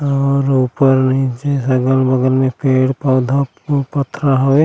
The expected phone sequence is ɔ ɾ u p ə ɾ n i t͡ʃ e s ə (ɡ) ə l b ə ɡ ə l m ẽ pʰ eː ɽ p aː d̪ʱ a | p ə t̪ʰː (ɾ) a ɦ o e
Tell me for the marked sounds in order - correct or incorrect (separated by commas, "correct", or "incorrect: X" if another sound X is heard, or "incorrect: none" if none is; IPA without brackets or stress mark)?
correct, correct